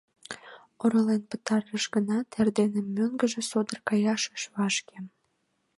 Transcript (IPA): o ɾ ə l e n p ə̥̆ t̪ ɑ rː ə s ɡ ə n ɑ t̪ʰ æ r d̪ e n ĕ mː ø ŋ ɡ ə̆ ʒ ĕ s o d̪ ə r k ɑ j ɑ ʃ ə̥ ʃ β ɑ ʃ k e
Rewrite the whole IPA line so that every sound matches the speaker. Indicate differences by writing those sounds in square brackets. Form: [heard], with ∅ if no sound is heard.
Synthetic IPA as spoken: o ɾ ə l e n p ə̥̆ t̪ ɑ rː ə [ʃ] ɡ ə n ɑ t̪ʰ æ r d̪ e n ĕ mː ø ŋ ɡ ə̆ ʒ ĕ s o d̪ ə r k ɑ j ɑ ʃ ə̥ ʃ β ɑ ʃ k e